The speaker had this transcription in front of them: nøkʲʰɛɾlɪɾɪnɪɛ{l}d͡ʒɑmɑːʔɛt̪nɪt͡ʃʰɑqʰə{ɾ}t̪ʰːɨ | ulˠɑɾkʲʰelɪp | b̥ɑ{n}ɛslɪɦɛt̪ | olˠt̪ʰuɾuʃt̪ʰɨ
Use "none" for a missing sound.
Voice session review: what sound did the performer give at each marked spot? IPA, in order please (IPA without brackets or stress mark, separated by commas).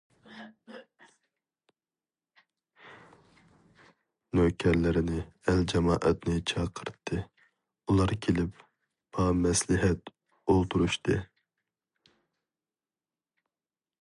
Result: l, ɾ, m